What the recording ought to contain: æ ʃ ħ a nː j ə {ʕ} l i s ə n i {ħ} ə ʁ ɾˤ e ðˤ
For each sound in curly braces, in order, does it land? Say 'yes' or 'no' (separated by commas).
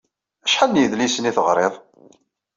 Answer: no, no